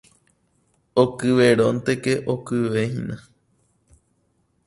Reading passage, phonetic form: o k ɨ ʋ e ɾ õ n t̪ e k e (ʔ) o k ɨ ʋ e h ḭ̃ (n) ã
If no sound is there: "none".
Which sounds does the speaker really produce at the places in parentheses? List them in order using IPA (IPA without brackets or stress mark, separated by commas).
ʔ, n